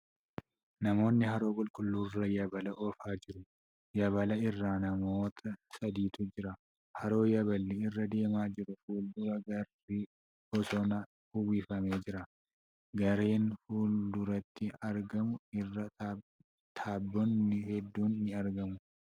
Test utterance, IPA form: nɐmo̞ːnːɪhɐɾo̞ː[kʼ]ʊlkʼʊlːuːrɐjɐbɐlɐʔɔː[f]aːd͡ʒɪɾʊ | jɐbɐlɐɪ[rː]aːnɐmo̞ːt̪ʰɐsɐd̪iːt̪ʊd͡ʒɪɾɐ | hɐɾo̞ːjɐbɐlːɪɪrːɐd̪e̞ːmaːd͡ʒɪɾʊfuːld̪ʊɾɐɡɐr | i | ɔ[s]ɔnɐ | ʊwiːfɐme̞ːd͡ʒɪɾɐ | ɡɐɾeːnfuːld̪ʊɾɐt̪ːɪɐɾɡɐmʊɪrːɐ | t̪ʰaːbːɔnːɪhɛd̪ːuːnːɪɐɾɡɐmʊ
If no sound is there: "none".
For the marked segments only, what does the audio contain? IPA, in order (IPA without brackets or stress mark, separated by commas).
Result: kʼ, f, rː, s